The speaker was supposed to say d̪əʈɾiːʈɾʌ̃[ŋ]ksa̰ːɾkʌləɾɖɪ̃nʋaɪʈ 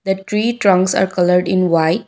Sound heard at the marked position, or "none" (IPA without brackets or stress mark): ŋ